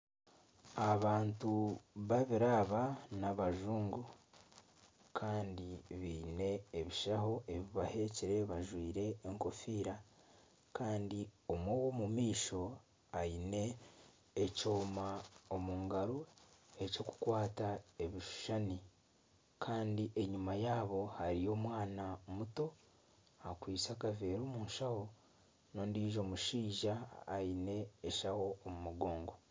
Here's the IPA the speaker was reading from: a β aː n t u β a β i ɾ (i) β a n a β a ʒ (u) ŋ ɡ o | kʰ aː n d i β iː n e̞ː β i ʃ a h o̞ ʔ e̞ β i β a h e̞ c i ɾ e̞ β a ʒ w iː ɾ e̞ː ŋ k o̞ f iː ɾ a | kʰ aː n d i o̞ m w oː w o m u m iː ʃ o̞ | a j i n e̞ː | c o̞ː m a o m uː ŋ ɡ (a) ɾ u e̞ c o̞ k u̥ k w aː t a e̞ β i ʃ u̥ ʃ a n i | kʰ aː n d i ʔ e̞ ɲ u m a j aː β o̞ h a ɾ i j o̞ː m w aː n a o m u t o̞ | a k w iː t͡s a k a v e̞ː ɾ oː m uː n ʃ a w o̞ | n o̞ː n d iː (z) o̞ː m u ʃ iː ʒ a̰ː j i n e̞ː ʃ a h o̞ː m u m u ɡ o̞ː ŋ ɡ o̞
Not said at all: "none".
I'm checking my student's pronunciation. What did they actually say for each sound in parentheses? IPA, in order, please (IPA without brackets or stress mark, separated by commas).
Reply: a, uː, a, ʒ